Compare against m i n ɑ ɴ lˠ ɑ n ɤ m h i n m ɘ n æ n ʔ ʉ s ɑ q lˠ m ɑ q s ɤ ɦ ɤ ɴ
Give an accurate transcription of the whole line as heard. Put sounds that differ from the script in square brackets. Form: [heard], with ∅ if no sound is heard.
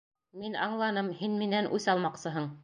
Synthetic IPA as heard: m i n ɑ ɴ lˠ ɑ n ɤ m h i n m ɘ n æ n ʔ ʉ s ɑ [∅] lˠ m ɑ q s ɤ ɦ ɤ ɴ